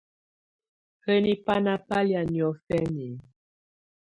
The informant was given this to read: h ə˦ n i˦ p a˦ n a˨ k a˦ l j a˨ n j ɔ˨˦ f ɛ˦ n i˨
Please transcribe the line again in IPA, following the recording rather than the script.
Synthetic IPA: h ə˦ n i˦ p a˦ n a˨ p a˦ l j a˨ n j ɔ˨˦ f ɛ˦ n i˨